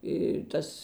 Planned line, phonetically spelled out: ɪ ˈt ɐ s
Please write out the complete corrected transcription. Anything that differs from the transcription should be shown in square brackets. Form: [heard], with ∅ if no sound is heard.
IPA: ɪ ˈt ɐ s